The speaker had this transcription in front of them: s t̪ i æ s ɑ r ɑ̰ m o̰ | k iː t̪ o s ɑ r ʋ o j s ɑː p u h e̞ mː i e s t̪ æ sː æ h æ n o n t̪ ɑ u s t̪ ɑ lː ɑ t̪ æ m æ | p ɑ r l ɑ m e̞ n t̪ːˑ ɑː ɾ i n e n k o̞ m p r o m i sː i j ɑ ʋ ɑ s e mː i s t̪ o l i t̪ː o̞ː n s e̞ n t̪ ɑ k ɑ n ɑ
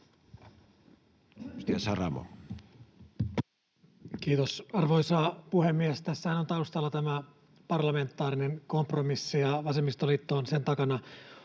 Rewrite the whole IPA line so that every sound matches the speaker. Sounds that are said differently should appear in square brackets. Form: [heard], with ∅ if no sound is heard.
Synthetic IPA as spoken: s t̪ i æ s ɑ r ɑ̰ m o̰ | k iː t̪ o s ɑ r ʋ o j s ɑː p u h e̞ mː i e s t̪ æ sː æ h æ n o n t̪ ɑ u s t̪ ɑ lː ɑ t̪ æ m æ | p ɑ r l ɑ m e̞ n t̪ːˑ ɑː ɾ i n e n k o̞ m p r o m i sː i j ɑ ʋ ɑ s e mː i s t̪ o l i t̪ː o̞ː n s e̞ n t̪ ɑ k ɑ n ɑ